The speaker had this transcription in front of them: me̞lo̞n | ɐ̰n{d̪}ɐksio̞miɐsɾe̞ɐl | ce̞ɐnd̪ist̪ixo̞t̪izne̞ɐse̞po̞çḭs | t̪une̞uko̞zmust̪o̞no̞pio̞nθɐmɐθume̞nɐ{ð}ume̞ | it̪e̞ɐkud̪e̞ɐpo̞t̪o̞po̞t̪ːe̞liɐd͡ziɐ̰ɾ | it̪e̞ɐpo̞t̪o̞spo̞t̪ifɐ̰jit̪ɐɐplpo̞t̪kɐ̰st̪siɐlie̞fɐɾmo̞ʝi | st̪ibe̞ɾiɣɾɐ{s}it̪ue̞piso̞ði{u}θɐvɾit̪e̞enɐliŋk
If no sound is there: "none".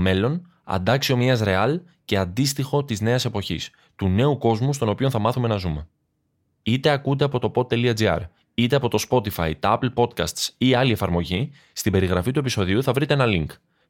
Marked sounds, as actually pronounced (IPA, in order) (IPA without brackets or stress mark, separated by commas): d̪, z, f, u